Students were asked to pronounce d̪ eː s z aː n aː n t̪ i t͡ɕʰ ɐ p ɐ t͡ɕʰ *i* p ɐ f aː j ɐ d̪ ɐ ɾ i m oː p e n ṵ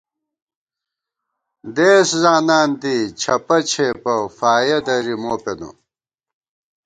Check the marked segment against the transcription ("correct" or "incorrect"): incorrect